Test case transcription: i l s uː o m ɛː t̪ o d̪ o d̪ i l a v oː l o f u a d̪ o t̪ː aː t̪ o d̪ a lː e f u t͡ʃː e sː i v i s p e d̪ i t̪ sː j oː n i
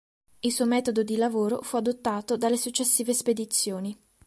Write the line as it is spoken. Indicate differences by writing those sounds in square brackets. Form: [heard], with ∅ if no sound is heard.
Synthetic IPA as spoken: i l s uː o m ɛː t̪ o d̪ o d̪ i l a v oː [ɾ] o f u a d̪ o t̪ː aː t̪ o d̪ a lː e [s] u t͡ʃː e sː [iː] v [e] s p e d̪ i t̪ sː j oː n i